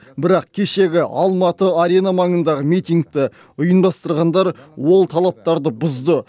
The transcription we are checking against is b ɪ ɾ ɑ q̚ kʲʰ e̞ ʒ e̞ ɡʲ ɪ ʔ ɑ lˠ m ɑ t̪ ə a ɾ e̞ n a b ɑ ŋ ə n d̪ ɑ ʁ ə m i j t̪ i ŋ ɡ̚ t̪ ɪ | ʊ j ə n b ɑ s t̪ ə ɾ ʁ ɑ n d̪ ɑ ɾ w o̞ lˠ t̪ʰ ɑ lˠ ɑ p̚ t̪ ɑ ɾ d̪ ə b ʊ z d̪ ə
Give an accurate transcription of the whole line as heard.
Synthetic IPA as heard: b ɪ ɾ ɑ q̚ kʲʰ e̞ ʃ e̞ ɡʲ ɪ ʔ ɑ lˠ m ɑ t̪ ə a ɾ e̞ n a m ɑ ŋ ə n d̪ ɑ ʁ ə m i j t̪ i ŋ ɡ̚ t̪ ɪ | ʊ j ə n b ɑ s t̪ ə ɾ ʁ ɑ n d̪ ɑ ɾ w o̞ lˠ t̪ʰ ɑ lˠ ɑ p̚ t̪ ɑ ɾ d̪ ə b ʊ z d̪ ə